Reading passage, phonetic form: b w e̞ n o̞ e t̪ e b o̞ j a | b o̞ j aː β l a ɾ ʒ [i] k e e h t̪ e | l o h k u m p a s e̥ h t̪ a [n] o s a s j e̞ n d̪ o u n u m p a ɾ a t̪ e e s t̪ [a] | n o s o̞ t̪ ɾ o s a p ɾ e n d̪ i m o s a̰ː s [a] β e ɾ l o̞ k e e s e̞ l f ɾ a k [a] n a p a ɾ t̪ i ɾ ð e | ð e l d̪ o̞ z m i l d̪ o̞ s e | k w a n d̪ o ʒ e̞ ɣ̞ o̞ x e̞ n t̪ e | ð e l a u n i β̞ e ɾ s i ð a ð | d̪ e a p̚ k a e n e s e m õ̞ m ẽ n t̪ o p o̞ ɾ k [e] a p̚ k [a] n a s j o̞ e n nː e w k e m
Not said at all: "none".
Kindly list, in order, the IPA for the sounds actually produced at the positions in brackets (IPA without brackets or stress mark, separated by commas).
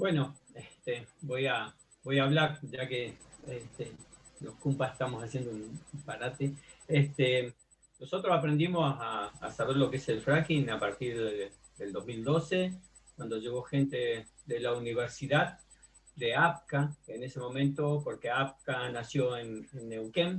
a, m, e, a, i, e, a